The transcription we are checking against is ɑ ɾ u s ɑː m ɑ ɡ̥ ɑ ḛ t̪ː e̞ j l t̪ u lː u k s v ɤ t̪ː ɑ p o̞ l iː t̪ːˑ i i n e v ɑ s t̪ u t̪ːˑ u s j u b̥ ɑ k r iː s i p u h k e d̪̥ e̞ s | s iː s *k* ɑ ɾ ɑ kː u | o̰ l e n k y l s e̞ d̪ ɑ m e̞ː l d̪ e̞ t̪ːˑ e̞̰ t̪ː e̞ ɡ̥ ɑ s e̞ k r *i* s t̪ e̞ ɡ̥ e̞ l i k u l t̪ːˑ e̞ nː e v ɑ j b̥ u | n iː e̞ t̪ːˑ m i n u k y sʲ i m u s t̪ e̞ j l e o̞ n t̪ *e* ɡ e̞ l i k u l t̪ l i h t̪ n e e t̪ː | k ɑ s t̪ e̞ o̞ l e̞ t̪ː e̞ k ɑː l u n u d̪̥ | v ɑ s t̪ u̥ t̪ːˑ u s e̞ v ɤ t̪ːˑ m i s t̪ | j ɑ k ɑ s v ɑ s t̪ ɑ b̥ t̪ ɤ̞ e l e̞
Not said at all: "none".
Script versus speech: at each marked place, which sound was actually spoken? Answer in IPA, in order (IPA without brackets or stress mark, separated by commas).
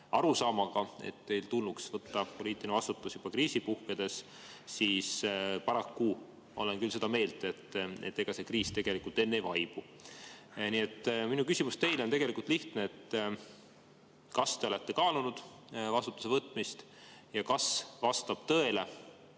p, iː, e